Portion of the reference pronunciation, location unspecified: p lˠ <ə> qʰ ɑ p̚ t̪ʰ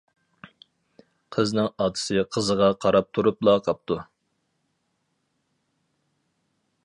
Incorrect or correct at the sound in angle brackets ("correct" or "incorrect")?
incorrect